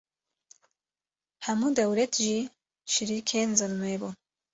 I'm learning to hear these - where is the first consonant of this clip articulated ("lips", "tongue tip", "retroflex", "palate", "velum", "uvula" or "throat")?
throat